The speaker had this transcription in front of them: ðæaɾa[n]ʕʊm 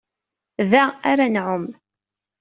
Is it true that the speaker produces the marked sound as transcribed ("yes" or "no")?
yes